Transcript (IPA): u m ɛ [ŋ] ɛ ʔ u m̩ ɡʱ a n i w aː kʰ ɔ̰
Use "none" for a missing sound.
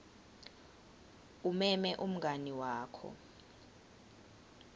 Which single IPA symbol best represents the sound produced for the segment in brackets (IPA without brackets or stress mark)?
m